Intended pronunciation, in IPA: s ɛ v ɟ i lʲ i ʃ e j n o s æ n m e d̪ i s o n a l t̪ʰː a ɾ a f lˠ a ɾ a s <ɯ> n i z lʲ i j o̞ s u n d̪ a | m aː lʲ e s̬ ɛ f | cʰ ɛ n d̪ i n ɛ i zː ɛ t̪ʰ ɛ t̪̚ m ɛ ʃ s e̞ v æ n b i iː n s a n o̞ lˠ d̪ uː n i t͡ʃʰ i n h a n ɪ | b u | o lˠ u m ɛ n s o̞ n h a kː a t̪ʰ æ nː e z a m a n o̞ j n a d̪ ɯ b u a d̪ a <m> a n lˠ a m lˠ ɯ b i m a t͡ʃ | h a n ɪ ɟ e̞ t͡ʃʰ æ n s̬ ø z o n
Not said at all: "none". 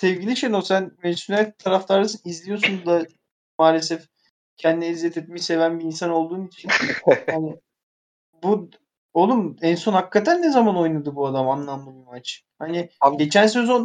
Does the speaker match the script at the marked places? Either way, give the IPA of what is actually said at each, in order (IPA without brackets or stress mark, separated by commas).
ɯ, m